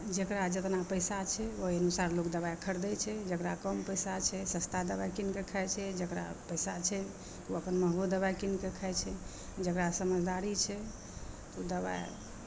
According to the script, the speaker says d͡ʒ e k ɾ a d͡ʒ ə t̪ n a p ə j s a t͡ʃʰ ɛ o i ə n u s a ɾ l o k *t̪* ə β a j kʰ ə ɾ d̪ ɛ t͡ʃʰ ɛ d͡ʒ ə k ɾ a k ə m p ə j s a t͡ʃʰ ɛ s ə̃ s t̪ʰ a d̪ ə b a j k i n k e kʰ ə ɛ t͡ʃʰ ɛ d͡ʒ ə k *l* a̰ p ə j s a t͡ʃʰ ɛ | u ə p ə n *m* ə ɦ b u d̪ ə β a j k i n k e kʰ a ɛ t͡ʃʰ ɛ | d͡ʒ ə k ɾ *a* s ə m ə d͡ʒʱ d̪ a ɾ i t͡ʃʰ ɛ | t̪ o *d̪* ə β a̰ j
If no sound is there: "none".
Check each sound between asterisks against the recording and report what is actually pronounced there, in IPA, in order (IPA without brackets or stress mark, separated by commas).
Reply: d̪, ɾ, m, a, d̪